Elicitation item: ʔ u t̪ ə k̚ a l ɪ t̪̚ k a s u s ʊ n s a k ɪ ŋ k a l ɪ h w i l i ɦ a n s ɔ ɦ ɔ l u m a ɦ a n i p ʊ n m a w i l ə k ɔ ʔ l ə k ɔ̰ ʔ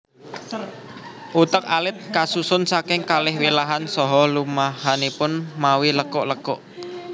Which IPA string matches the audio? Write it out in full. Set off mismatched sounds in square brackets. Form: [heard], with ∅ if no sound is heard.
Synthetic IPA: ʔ u t̪ ə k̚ a l ɪ t̪̚ k a s u s ʊ n s a k ɪ ŋ k a l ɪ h w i l [a] ɦ a n s ɔ ɦ ɔ l u m a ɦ a n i p ʊ n m a w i l ə k ɔ ʔ l ə k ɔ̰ ʔ